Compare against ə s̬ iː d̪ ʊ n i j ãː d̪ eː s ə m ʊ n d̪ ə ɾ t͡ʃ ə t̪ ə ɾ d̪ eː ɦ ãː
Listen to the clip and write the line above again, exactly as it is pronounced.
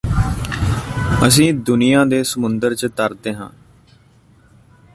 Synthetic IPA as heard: ə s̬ ĩː d̪ ʊ n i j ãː d̪ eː s ə m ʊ n d̪ ə ɾ t͡ʃ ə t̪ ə ɾ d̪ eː ɦ ãː